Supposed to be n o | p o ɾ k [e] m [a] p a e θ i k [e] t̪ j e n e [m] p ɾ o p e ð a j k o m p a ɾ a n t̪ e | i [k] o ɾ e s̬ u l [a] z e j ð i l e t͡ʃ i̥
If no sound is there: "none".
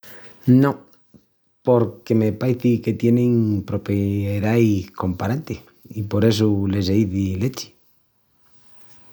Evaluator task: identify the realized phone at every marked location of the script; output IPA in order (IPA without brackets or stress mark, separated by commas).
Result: e, e, e, ŋ, p, e